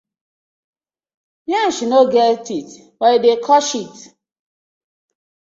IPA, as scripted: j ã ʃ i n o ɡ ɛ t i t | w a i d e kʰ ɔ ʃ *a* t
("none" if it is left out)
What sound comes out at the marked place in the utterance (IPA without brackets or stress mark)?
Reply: i